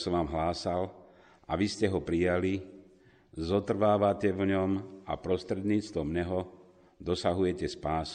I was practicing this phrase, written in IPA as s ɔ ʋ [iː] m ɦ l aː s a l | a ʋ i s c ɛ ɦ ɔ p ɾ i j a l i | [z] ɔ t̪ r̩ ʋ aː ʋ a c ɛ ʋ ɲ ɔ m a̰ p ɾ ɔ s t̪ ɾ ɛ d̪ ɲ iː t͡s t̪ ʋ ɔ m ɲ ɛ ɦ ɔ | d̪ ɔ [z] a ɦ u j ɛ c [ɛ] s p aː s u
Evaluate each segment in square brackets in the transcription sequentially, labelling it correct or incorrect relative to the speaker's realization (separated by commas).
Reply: incorrect, correct, incorrect, correct